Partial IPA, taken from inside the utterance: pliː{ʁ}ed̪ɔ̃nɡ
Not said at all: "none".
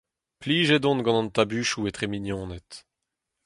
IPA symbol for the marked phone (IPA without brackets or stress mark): ʒ